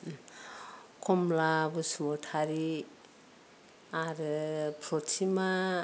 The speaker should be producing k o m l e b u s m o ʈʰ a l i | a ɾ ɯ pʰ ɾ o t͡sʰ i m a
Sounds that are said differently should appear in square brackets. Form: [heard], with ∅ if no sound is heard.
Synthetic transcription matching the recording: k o m l [a] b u s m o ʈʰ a [ɾ] i | a ɾ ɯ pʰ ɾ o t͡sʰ i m a